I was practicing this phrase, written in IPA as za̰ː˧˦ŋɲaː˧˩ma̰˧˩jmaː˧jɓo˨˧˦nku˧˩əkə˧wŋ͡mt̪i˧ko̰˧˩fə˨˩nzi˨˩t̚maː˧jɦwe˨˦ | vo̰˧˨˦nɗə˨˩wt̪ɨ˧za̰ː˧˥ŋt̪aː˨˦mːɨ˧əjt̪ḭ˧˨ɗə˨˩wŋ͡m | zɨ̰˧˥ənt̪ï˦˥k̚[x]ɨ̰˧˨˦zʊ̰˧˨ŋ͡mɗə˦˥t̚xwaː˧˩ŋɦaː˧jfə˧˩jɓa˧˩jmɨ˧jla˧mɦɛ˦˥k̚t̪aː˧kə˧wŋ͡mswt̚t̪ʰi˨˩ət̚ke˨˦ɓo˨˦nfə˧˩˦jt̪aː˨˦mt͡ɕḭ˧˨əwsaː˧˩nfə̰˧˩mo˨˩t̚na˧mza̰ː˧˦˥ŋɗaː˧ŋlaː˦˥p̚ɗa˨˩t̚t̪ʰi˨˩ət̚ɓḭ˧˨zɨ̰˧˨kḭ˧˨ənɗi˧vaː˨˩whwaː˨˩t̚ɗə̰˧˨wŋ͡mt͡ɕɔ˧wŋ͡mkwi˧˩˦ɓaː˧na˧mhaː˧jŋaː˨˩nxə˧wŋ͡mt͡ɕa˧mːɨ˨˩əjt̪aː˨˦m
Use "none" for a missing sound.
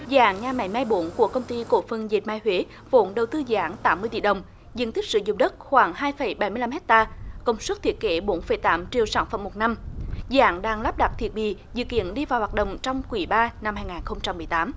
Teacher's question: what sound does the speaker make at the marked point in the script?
s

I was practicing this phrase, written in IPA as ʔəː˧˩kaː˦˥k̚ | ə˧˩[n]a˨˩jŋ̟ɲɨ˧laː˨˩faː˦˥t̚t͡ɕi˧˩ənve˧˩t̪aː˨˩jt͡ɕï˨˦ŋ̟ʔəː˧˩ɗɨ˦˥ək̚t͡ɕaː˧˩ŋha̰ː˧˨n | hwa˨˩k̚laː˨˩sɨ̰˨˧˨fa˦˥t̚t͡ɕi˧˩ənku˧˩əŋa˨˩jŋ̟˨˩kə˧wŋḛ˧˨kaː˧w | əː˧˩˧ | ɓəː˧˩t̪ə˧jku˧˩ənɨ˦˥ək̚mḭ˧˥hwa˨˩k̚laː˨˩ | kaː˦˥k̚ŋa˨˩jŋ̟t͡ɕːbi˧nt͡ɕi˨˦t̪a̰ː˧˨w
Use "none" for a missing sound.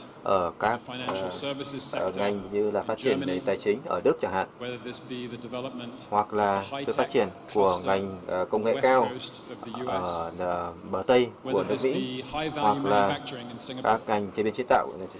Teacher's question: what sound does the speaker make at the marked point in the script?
ŋ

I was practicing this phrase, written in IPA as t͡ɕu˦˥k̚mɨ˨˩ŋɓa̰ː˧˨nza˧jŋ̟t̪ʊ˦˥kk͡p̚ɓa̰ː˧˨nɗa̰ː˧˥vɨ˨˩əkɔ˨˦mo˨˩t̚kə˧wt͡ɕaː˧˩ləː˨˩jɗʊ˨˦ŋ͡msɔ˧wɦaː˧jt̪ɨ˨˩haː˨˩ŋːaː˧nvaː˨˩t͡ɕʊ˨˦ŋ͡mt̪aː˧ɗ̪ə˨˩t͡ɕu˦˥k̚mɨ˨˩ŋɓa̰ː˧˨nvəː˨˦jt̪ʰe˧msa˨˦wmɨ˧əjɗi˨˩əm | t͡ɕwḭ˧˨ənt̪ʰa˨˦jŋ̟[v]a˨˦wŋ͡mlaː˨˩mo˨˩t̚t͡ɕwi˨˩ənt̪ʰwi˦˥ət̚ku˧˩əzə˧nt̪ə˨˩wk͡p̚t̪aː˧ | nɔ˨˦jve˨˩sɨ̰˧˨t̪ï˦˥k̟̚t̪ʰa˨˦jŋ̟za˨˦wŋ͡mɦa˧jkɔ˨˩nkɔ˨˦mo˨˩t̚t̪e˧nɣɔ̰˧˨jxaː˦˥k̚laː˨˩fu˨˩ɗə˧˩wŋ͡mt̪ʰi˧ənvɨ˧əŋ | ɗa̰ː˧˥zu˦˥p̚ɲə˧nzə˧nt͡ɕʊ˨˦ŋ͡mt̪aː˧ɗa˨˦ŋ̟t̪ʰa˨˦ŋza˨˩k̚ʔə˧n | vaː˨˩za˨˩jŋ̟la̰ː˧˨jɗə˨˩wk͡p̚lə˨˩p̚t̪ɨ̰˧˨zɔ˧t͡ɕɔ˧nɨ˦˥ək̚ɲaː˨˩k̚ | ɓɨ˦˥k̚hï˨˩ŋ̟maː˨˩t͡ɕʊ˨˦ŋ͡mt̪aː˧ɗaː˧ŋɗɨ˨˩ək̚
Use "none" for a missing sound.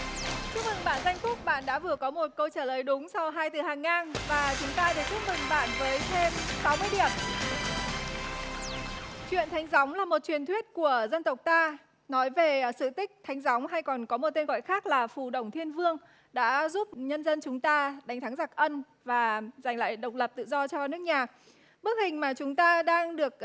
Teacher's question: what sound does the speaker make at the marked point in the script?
z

